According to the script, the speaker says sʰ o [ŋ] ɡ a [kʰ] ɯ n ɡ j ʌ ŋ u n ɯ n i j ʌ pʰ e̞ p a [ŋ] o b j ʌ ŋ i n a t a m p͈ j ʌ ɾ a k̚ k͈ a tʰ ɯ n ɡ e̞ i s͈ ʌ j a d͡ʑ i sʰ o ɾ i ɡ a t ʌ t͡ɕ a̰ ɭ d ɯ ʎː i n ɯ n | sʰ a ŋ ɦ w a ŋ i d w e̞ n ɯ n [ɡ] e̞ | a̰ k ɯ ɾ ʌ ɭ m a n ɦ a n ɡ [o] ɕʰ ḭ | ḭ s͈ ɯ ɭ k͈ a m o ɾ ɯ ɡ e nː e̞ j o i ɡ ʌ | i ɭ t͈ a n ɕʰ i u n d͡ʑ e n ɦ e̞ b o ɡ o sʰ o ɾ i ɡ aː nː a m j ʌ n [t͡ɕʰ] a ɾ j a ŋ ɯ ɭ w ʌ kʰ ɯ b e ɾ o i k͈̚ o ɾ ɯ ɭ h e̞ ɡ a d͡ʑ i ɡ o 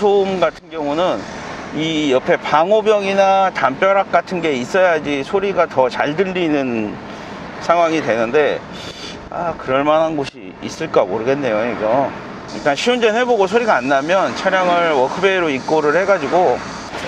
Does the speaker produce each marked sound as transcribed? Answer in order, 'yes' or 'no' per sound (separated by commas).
no, no, yes, no, yes, yes